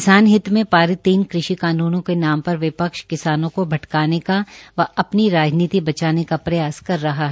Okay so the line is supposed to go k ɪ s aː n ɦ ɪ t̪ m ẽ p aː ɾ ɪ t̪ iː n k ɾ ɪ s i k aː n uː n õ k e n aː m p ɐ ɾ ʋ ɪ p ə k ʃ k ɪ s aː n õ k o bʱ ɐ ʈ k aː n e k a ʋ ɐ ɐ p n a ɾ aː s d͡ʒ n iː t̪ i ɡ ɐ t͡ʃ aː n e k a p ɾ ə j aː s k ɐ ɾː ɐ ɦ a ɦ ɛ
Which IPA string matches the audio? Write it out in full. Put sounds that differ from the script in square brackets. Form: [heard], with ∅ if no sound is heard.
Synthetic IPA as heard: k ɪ s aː n ɦ ɪ t̪ m ẽ p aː ɾ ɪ t̪ iː n k ɾ ɪ [ʃ] i k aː n uː n õ k e n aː m p ɐ ɾ ʋ ɪ p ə k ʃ k ɪ s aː n õ k o bʱ ɐ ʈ k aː n e k a ʋ ɐ ɐ p n [i] ɾ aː [∅] d͡ʒ n iː t̪ i [b] ɐ t͡ʃ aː n e k a p ɾ [ɐ] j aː s k ɐ ɾː ɐ ɦ a ɦ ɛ